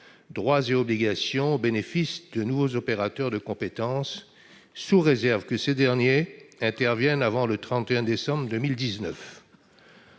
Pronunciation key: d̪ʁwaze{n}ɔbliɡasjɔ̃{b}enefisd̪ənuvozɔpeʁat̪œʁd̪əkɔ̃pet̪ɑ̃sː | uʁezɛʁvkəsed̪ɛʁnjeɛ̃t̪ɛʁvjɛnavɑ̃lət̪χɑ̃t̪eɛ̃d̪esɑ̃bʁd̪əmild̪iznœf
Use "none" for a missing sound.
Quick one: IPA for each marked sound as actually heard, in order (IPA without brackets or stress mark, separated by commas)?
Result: none, b